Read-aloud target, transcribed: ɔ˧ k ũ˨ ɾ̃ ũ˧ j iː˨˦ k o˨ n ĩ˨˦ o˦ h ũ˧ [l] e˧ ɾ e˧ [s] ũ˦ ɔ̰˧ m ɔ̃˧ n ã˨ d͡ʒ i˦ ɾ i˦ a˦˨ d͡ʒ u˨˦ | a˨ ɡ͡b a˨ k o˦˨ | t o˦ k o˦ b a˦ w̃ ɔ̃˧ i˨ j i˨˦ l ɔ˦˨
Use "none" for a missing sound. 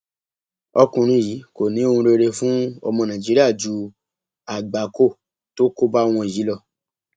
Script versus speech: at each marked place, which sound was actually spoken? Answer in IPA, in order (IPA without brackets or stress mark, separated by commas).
ɾ, f